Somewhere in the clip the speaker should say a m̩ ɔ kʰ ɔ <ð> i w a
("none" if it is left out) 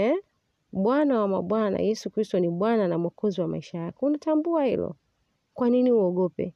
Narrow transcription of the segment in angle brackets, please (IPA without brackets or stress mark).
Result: z